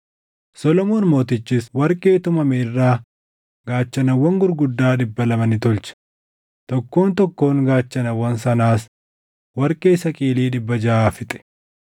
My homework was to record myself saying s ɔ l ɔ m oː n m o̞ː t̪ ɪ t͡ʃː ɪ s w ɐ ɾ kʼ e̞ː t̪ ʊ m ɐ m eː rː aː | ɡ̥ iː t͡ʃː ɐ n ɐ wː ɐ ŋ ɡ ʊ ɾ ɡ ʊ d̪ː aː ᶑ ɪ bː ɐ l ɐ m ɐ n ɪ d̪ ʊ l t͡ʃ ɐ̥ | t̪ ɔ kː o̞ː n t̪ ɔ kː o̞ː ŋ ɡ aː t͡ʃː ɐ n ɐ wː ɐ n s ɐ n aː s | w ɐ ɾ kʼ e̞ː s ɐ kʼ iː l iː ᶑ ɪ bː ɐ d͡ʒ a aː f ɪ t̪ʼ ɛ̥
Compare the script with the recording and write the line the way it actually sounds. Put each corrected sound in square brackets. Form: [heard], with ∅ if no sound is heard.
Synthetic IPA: s ɔ l ɔ m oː n m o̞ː t̪ ɪ t͡ʃː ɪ s w ɐ ɾ kʼ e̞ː t̪ ʊ m ɐ m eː rː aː | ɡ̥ [aː] t͡ʃː ɐ n ɐ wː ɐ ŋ ɡ ʊ ɾ ɡ ʊ d̪ː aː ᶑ ɪ bː ɐ l ɐ m ɐ n ɪ [t̪] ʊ l t͡ʃ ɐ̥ | t̪ ɔ kː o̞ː n t̪ ɔ kː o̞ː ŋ ɡ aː t͡ʃː ɐ n ɐ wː ɐ n s ɐ n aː s | w ɐ ɾ kʼ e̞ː s ɐ kʼ iː l iː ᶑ ɪ bː ɐ d͡ʒ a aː f ɪ t̪ʼ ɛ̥